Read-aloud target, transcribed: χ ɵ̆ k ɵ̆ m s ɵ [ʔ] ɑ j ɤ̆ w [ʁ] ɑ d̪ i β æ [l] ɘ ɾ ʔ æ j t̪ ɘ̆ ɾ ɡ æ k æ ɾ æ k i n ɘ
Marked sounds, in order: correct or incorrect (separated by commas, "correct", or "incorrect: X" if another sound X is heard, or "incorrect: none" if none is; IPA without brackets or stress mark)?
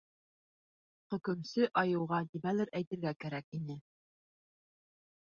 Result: correct, correct, correct